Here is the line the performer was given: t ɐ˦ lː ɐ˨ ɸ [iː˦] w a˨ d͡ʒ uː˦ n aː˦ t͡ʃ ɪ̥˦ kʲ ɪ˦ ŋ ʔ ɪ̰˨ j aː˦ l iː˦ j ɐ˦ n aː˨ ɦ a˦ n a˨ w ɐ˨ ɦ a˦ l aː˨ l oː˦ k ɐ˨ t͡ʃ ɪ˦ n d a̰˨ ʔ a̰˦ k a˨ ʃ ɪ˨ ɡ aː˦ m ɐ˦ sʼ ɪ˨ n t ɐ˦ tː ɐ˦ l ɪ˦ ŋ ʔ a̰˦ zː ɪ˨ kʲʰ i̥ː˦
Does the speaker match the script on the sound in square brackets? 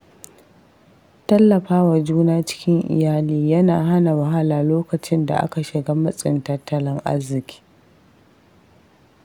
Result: no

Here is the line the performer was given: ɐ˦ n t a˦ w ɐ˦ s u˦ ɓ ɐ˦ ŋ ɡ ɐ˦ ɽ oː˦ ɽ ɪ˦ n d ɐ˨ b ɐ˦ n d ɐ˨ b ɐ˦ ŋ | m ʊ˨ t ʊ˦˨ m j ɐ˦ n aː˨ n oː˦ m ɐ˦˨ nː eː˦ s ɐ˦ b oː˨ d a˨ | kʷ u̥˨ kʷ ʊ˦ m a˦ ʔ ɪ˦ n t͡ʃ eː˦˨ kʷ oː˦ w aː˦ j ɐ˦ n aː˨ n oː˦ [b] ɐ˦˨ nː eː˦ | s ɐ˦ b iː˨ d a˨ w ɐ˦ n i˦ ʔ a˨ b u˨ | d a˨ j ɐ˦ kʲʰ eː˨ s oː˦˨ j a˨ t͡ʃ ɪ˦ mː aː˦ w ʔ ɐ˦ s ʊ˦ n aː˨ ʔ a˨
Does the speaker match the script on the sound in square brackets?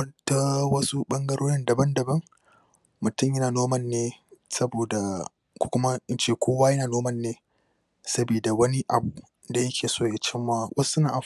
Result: no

